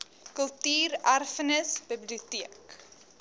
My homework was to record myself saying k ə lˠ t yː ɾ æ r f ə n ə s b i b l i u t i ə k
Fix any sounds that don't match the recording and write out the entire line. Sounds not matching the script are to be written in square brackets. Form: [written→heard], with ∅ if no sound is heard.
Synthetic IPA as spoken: k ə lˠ t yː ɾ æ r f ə n ə s b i b l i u t i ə k

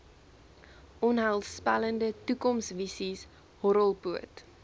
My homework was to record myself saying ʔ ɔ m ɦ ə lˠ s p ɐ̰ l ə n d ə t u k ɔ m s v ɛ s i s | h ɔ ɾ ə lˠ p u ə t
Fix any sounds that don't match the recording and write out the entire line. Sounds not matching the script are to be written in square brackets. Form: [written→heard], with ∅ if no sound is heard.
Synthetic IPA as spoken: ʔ ɔ [m→n] ɦ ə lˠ s p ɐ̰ l ə n d ə t u k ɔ m s v [ɛ→i] s i s | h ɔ ɾ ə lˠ p u ə t

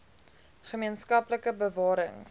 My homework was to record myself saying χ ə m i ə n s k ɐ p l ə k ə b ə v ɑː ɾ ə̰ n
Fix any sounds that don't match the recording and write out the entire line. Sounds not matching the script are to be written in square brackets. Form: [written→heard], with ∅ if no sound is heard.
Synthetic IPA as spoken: χ ə m i ə n s k ɐ p l ə k ə b ə v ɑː ɾ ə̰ [n→ŋ]

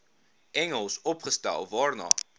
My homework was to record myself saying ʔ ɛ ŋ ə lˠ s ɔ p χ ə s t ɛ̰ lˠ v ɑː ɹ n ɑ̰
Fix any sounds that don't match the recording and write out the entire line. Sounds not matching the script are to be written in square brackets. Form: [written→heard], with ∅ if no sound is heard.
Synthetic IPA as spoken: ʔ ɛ ŋ ə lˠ s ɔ p χ ə s t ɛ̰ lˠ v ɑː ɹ n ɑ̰

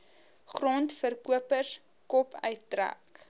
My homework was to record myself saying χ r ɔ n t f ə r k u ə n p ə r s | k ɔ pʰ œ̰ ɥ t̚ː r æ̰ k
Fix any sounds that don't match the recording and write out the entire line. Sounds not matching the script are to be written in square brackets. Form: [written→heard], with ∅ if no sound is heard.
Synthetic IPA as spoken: χ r ɔ n t f ə r k u ə [n→∅] p ə r s | k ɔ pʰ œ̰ ɥ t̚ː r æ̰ k

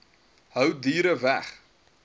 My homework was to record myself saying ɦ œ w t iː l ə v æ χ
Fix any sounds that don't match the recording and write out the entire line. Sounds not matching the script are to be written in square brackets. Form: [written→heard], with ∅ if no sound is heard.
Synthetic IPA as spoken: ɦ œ w [t→d] iː [l→ɾ] ə v æ χ

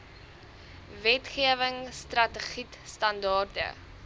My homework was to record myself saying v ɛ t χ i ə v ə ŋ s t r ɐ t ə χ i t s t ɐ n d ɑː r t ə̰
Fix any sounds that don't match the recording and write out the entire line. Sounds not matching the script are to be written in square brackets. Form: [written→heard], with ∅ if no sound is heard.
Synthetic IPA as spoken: v ɛ t χ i ə v ə ŋ s t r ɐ t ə χ i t s t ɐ n d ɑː r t ə̰

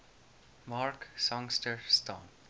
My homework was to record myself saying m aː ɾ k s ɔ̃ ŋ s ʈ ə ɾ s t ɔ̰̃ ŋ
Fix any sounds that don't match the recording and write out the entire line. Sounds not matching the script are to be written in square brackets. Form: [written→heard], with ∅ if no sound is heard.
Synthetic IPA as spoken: m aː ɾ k s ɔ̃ ŋ s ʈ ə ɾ s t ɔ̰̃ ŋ

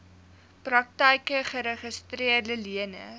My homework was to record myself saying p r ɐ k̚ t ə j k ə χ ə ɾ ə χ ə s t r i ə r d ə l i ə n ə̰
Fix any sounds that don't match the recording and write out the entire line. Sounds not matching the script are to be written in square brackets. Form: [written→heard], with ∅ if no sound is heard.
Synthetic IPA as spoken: p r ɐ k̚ t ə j k ə χ ə ɾ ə χ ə s t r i ə r d ə l i ə n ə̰

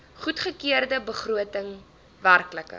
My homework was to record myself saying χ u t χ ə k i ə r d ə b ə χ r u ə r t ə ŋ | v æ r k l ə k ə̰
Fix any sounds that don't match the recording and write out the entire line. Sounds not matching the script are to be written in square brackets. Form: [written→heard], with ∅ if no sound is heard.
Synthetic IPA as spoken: χ u t χ ə k i ə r d ə b ə χ r u ə [r→∅] t ə ŋ | v æ r k l ə k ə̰

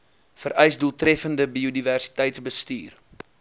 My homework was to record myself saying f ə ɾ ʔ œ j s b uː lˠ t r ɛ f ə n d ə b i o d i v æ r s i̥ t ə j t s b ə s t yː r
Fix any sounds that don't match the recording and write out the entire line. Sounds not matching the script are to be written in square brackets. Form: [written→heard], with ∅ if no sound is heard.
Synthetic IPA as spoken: f ə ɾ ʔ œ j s [b→d] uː lˠ t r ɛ f ə n d ə b i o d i v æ r s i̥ t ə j t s b ə s t yː r

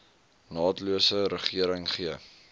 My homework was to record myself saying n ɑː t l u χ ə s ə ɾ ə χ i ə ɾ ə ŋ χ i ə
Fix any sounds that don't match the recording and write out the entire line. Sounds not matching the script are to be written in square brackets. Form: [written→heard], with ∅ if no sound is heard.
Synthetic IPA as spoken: n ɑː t l u [χ→∅] ə s ə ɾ ə χ i ə ɾ ə ŋ χ i ə

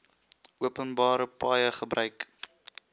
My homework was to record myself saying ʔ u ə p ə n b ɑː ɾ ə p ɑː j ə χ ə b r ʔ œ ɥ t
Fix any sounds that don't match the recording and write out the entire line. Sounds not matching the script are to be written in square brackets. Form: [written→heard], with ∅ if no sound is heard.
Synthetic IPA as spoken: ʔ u ə p ə n b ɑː ɾ ə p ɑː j ə χ ə b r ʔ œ ɥ [t→k]

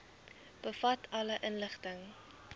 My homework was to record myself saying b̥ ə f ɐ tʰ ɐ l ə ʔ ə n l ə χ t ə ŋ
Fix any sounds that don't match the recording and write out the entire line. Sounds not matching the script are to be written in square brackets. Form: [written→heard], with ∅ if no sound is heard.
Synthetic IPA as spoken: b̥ ə f ɐ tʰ ɐ l ə ʔ ə n l ə χ t ə ŋ

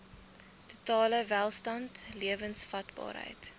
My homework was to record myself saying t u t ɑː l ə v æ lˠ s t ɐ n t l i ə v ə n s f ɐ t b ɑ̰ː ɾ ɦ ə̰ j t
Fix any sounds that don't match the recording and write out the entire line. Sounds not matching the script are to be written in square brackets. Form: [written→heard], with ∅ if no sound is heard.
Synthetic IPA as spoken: t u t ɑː l ə v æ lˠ s t ɐ n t l i ə v ə n s f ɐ t b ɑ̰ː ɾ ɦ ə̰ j t

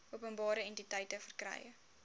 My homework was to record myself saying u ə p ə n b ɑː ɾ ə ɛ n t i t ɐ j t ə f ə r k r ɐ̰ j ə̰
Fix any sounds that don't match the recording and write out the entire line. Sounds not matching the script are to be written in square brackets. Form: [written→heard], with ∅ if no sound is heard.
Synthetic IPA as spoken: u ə p ə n b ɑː ɾ ə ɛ n t i t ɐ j t ə f ə r k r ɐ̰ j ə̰

